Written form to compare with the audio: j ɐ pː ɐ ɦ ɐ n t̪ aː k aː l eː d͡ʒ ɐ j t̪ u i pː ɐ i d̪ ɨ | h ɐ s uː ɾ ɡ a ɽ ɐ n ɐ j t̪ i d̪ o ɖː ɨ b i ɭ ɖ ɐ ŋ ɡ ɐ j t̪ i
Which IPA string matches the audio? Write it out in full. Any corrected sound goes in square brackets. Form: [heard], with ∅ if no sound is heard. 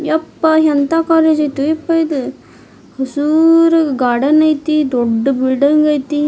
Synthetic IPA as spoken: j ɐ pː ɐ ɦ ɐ n t̪ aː k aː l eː d͡ʒ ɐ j t̪ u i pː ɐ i d̪ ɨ | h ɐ s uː ɾ ɡ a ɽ ɐ n ɐ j t̪ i d̪ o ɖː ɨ b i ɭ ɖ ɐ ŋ ɡ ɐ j t̪ i